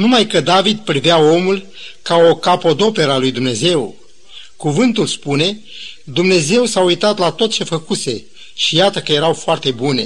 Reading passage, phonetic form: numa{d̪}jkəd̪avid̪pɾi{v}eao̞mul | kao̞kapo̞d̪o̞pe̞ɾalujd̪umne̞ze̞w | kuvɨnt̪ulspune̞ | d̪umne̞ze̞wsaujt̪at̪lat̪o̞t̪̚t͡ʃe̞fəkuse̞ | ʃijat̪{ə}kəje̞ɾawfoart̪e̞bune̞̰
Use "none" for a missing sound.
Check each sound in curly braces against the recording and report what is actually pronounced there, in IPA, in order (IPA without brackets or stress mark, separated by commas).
none, v, ə